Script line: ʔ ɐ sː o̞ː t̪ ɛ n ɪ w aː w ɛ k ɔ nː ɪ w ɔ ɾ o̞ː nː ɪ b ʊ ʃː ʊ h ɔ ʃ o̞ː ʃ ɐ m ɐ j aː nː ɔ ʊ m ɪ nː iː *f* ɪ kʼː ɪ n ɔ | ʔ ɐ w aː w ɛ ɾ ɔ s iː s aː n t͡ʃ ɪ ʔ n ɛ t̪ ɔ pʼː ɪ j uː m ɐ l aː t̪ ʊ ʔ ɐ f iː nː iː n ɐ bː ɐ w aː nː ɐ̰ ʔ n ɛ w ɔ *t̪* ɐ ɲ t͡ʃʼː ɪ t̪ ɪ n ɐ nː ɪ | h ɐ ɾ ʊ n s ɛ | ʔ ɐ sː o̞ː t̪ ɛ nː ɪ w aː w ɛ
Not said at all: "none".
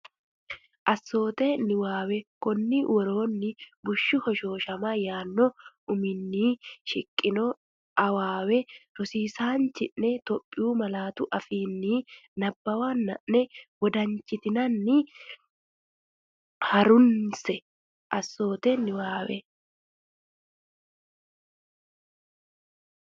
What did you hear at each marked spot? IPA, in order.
ʃ, d̪

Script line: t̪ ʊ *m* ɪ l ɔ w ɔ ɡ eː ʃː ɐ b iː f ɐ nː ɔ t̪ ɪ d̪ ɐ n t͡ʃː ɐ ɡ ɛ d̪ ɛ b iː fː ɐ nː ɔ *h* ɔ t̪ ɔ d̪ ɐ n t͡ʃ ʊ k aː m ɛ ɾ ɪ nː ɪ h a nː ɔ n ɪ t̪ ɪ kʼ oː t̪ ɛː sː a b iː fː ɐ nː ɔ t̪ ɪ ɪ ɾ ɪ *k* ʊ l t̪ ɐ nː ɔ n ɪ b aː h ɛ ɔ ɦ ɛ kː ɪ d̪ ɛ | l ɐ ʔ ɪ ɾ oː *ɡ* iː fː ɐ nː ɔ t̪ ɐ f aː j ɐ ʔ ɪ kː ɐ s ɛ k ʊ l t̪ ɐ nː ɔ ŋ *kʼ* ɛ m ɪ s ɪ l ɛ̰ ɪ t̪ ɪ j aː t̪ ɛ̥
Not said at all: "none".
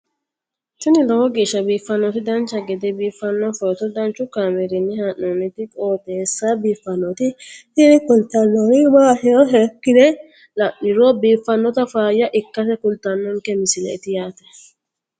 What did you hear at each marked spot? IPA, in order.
n, f, k, b, k

